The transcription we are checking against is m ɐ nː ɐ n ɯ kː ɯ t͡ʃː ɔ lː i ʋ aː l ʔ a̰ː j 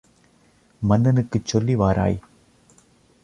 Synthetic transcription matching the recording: m ɐ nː ɐ n ɯ kː ɯ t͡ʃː ɔ lː i ʋ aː ɾ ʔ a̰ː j